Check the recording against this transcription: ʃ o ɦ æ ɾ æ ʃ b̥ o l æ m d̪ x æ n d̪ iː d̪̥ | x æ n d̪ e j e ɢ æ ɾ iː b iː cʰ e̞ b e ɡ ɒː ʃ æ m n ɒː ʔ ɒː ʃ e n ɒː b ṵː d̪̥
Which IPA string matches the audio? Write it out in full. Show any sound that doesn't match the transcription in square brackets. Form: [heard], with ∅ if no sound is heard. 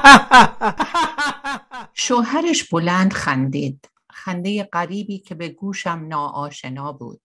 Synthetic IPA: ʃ o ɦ æ ɾ [e] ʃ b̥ o l æ [n] d̪ x æ n d̪ iː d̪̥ | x æ n d̪ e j e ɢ æ ɾ iː b iː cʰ e̞ b e ɡ [uː] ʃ æ m n ɒː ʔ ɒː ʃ e n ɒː b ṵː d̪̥